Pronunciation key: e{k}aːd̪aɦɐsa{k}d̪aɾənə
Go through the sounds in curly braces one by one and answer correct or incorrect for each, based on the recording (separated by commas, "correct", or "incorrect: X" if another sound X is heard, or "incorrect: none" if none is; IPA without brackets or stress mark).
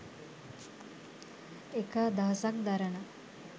correct, correct